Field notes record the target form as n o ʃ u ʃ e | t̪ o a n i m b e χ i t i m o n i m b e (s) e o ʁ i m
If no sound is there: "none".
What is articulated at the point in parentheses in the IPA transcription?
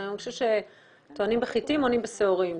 s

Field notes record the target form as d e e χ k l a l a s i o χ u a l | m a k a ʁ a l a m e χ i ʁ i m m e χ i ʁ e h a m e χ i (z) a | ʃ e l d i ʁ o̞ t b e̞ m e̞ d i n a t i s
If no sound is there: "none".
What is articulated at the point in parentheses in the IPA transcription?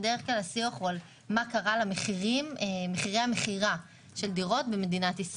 ʁ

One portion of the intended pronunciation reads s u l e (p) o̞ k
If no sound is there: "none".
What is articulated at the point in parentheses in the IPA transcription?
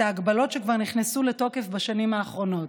t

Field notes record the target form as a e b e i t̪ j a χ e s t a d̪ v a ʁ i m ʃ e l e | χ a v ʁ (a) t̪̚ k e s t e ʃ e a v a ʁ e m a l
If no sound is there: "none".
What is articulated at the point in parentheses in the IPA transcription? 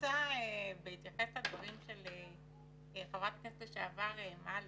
a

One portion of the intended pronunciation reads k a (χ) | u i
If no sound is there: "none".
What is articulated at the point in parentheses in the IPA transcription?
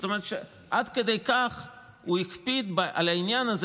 χ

